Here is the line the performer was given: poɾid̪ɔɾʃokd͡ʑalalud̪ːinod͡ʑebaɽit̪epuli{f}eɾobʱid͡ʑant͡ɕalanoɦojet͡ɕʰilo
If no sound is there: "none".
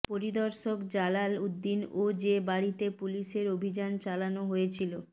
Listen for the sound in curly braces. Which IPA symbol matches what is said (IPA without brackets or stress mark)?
ʃ